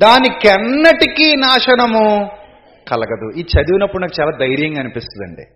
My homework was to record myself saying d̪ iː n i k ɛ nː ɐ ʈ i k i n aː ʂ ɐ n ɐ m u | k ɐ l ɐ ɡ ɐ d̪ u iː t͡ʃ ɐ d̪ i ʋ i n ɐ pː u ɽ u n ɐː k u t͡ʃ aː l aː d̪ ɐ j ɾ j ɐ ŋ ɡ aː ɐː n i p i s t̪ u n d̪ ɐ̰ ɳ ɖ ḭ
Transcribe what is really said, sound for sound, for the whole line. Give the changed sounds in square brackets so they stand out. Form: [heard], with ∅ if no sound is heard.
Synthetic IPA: d̪ [aː] n i k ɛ nː ɐ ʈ i k i n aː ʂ ɐ n ɐ m u | k ɐ l ɐ ɡ ɐ d̪ u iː t͡ʃ ɐ d̪ i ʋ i n ɐ pː u ɽ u n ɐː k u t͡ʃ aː l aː d̪ ɐ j ɾ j ɐ ŋ ɡ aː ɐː n i p i s t̪ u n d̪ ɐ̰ ɳ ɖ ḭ